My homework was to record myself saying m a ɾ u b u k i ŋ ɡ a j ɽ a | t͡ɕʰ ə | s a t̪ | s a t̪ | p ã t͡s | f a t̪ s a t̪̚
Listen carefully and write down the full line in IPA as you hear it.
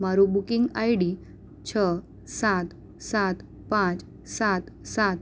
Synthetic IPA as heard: m a ɾ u b u k i ŋ ɡ a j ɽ i | t͡ɕʰ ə | s a t̪ | s a t̪ | p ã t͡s | s a t̪ s a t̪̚

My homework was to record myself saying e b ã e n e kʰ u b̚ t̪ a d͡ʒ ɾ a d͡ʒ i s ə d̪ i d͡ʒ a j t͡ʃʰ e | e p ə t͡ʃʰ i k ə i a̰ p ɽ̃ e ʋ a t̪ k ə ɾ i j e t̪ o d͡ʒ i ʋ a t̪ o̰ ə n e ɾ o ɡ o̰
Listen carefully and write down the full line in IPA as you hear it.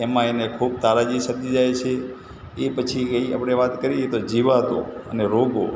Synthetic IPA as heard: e m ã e n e kʰ u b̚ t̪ a ɾ a d͡ʒ i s ə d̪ i d͡ʒ a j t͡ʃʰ e | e p ə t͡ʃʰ i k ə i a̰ p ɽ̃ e ʋ a t̪ k ə ɾ i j e t̪ o d͡ʒ i ʋ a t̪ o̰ ə n e ɾ o ɡ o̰

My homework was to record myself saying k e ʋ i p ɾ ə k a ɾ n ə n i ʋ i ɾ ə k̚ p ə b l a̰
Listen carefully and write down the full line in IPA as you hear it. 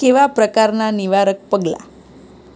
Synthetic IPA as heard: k e ʋ a p ɾ ə k a ɾ n a n i ʋ a ɾ ə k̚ p ə ɡ l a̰

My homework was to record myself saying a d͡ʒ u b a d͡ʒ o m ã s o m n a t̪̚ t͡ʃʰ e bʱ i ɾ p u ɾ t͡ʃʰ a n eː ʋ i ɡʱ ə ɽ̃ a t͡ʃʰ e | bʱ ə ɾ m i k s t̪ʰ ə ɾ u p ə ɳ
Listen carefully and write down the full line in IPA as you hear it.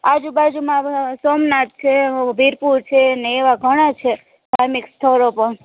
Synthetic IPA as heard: a d͡ʒ u b a d͡ʒ u m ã s o m n a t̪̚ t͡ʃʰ e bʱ i ɾ p u ɾ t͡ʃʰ e n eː ʋ a ɡʱ ə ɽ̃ a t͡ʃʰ e | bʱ a ɾ m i k s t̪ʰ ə ɾ o p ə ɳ

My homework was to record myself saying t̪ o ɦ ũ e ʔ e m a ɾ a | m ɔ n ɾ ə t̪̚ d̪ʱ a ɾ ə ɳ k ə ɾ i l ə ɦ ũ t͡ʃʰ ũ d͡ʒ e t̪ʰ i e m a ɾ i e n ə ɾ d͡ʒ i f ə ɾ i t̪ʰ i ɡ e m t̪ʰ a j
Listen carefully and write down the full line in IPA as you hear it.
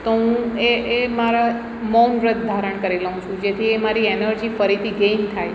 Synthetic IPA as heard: t̪ o ɦ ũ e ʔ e m a ɾ a | m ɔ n ɾ ə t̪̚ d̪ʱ a ɾ ə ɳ k ə ɾ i l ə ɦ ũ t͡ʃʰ ũ d͡ʒ e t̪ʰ i e m a ɾ i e n ə ɾ d͡ʒ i f ə ɾ i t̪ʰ i ɡ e m t̪ʰ a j

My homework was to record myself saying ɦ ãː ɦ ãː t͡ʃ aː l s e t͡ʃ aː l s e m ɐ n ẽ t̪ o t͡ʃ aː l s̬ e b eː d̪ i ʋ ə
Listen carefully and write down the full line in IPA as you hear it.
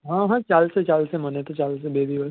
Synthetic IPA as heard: ɦ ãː ɦ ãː t͡ʃ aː l s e t͡ʃ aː l s e m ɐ n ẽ t̪ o t͡ʃ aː l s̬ e b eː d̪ i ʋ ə

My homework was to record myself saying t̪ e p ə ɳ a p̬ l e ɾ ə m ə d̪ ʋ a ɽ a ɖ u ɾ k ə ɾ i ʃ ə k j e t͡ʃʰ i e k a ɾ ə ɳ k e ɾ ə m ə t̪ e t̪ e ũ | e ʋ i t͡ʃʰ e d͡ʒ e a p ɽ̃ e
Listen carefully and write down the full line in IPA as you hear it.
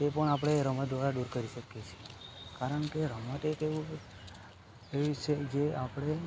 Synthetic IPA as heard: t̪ e p ə ɳ a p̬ ɽ e ɾ ə m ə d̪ ʋ a ɾ a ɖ u ɾ k ə ɾ i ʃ ə k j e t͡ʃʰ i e k a ɾ ə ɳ k e ɾ ə m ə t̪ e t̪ e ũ | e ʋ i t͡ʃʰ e d͡ʒ e a p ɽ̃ e

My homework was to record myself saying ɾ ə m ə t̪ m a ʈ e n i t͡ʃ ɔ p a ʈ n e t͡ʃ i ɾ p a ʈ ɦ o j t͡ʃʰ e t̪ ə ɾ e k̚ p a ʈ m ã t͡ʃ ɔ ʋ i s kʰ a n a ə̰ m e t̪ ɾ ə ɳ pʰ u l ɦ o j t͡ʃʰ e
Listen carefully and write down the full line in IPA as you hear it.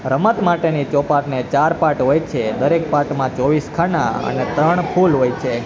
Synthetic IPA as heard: ɾ ə m ə t̪ m a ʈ e n i t͡ʃ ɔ p a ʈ n e t͡ʃ a ɾ p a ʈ ɦ o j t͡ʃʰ e d̪ ə ɾ e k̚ p a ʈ m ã t͡ʃ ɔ ʋ i s kʰ a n a ə̰ n e t̪ ɾ ə ɳ pʰ u l ɦ o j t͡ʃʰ e

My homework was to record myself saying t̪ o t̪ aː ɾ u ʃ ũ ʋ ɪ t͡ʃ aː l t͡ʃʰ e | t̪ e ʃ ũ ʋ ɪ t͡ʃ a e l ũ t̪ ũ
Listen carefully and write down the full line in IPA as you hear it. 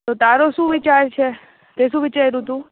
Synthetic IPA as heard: t̪ o t̪ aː ɾ o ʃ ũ ʋ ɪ t͡ʃ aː ɾ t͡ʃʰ e | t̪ e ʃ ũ ʋ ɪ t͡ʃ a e ɾ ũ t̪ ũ

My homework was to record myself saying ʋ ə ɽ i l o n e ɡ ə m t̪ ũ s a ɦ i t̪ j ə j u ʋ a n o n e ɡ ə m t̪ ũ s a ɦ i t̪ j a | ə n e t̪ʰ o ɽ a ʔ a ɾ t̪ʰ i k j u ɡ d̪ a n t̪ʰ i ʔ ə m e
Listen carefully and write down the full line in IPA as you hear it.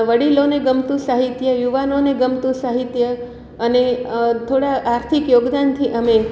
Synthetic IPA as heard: ʋ ə ɽ i l o n e ɡ ə m t̪ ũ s a ɦ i t̪ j ə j u ʋ a n o n e ɡ ə m t̪ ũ s a ɦ i t̪ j ə | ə n e t̪ʰ o ɽ a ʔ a ɾ t̪ʰ i k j o ɡ d̪ a n t̪ʰ i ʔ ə m e

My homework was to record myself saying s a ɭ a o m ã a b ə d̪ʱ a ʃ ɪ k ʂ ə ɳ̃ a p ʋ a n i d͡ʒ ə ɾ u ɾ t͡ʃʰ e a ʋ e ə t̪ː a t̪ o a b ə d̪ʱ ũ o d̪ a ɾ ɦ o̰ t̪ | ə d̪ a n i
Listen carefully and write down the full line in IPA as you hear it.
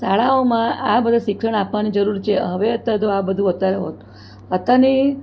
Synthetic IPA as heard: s a ɭ a o m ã a b ə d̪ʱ a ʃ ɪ k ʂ ə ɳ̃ a p ʋ a n i d͡ʒ ə ɾ u ɾ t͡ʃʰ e ə ʋ e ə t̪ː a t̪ o a b ə d̪ʱ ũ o t̪ a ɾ ɦ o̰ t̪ | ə t̪ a n i

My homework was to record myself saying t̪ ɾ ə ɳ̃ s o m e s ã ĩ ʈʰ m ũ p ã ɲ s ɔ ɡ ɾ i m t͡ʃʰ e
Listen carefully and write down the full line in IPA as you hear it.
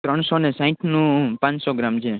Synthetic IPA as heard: t̪ ɾ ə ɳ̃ s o n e s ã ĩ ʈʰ n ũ p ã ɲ s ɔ ɡ ɾ a m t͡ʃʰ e

